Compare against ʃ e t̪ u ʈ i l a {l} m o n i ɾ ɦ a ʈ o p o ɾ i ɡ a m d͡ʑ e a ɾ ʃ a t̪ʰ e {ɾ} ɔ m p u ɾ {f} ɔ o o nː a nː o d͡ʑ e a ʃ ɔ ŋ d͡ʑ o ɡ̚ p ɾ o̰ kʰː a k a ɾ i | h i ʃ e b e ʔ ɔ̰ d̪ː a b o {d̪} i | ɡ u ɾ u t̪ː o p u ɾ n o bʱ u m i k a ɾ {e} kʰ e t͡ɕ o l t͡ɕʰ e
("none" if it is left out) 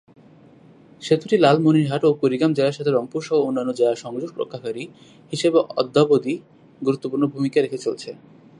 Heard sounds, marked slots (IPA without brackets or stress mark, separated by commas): l, ɾ, ʃ, d̪, e